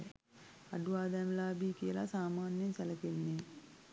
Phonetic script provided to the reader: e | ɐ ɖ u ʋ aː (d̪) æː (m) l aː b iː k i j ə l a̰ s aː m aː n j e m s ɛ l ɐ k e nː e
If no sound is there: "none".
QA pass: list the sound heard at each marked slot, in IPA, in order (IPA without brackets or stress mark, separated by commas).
d̪, m